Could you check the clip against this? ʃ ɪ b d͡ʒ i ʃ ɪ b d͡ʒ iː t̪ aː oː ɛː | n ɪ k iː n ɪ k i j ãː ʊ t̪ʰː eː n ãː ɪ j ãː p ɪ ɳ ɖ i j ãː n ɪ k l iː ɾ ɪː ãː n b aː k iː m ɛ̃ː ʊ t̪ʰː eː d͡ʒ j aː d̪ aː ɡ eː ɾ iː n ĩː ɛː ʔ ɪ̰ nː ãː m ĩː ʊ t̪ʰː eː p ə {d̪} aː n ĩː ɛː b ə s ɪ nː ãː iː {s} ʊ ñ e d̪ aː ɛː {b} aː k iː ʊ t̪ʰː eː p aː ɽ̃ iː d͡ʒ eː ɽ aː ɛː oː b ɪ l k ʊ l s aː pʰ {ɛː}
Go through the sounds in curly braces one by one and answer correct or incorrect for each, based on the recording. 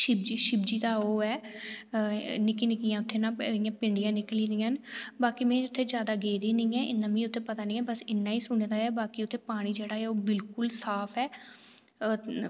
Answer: incorrect, correct, correct, correct

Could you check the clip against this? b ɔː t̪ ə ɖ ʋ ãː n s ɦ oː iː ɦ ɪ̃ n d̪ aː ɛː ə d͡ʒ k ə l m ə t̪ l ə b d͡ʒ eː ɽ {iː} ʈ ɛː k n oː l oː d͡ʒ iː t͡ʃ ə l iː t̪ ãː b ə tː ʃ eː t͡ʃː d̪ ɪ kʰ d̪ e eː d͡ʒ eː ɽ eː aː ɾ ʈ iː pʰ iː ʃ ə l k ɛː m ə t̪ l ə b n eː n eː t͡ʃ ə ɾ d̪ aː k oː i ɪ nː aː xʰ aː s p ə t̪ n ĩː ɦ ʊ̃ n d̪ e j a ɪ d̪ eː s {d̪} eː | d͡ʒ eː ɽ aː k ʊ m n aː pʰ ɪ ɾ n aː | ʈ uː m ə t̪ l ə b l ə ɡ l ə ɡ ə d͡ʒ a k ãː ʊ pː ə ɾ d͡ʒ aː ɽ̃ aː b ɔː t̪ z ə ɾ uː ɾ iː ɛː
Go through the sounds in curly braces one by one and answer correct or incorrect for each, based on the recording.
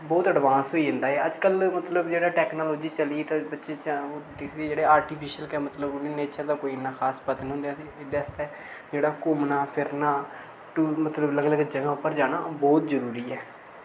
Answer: incorrect, incorrect

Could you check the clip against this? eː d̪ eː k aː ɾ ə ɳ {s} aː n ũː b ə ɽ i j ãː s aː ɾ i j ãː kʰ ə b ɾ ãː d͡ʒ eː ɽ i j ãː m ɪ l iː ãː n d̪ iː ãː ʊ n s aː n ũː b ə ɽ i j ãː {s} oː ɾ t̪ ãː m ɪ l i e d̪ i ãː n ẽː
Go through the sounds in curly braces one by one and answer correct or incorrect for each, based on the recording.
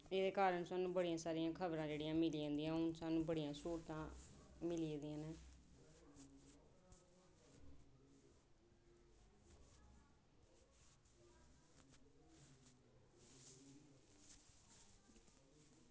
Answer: correct, correct

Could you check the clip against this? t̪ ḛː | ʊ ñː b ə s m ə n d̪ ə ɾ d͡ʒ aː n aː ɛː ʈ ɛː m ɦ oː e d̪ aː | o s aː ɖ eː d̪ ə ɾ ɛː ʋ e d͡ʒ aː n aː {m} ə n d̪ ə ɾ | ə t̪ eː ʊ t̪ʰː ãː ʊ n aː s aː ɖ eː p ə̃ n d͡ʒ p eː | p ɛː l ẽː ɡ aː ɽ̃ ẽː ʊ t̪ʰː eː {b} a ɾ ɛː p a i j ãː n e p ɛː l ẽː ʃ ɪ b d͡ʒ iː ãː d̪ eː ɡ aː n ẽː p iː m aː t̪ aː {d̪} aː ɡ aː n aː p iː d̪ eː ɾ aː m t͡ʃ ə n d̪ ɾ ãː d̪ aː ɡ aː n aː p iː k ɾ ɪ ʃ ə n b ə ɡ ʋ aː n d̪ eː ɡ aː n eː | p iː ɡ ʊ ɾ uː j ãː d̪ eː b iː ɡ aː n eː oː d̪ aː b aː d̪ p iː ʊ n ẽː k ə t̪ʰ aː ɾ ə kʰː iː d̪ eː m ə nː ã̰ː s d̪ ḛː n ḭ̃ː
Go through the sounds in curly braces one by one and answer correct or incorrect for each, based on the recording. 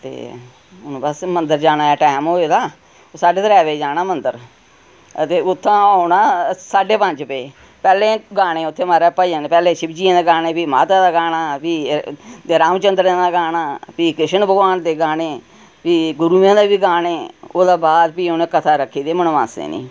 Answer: correct, incorrect, correct

